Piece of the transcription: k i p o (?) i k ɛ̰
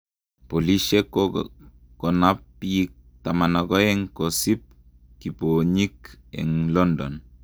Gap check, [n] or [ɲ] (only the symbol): ɲ